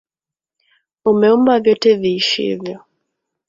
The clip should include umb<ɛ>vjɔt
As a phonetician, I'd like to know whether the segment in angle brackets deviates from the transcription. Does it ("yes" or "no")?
yes